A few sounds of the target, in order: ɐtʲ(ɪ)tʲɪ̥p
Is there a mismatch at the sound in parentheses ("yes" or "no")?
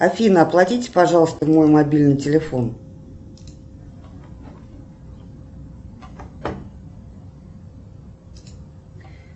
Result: yes